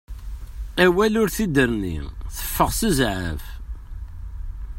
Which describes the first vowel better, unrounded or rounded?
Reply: unrounded